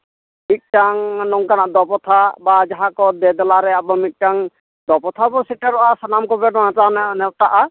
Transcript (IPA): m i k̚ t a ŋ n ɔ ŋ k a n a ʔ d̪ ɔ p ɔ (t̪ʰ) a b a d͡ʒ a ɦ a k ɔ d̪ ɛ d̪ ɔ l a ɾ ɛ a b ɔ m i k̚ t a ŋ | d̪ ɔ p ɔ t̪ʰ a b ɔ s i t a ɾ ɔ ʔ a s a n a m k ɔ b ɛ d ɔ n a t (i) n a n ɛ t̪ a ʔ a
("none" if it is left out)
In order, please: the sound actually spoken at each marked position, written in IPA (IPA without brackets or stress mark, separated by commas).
t̪ʰ, a